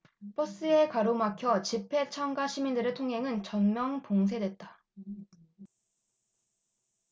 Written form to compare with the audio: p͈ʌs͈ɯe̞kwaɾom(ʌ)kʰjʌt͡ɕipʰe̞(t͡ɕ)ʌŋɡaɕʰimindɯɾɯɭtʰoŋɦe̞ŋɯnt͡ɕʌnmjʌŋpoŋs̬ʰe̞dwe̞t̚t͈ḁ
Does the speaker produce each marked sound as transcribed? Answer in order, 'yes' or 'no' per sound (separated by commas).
no, no